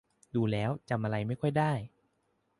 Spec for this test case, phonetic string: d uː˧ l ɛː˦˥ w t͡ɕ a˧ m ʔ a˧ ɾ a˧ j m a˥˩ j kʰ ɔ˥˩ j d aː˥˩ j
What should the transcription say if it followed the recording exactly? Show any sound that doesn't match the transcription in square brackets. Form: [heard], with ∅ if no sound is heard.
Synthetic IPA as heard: d uː˧ l ɛː˦˥ w t͡ɕ a˧ m ʔ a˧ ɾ a˧ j m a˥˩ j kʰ ɔ˥˩ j d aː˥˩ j